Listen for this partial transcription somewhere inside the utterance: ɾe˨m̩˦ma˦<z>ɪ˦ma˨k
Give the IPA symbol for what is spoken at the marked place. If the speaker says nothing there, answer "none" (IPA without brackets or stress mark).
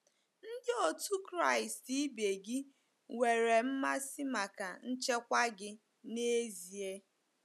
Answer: s